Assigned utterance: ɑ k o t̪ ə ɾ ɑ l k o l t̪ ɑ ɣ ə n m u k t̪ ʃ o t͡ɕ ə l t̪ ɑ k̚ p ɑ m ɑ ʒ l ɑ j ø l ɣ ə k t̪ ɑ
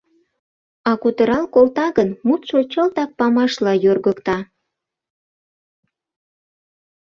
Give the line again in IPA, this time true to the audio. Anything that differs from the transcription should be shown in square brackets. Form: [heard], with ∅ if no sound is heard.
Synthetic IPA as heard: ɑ k [u] t̪ ə ɾ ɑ l k o l t̪ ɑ ɣ ə n m u [∅] t̪ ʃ o t͡ɕ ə l t̪ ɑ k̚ p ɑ m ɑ [ʃ] l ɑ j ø [r] ɣ ə k t̪ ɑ